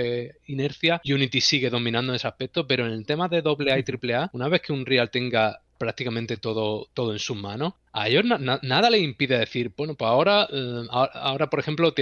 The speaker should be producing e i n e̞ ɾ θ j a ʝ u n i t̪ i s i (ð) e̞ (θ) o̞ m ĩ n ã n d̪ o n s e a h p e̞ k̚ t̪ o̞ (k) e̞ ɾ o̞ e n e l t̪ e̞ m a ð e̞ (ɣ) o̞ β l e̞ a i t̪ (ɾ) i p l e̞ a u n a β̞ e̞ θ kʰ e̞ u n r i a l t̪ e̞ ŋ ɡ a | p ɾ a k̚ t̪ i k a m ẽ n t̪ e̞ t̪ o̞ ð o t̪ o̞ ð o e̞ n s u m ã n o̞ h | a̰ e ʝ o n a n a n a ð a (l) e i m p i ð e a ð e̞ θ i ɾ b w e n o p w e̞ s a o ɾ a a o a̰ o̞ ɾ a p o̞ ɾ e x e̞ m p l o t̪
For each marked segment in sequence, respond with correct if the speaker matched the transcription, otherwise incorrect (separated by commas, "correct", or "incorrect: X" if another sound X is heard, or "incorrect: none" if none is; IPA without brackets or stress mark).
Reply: incorrect: ɣ, incorrect: ð, incorrect: p, incorrect: ð, correct, correct